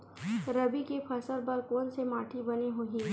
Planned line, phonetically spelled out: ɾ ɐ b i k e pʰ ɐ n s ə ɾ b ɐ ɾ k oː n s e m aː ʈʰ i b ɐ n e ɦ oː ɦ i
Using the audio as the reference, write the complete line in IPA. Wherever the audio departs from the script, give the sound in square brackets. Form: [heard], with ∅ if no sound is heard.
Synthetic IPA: ɾ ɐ b i k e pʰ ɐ [∅] s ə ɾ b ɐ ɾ k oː n s e m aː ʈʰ i b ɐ n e ɦ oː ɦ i